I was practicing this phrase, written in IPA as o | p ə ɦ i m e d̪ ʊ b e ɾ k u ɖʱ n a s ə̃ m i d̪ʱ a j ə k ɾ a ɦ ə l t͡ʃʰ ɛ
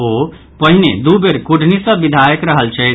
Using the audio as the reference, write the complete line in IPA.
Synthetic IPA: o | p ə ɦ i n e d̪ u b e ɾ k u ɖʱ n i s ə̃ b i d̪ʱ a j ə k ɾ ə ɦ ə l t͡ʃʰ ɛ